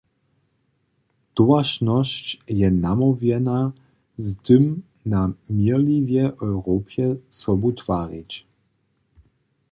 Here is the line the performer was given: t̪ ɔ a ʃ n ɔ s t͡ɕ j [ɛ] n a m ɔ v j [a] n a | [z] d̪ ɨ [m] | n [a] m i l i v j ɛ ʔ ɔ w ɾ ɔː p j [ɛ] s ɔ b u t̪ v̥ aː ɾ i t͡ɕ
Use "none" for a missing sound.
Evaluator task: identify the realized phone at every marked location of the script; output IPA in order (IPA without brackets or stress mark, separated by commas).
ɛ, ɛ, z, m, a, ɛ